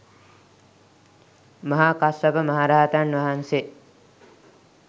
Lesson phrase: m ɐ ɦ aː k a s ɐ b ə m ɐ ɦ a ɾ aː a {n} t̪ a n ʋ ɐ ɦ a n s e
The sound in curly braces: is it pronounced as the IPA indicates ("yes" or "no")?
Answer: no